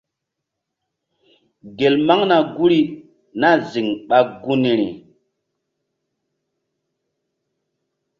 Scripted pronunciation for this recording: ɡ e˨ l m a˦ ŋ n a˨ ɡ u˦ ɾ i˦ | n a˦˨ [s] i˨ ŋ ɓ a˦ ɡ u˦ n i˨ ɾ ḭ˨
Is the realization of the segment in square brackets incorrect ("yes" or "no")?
yes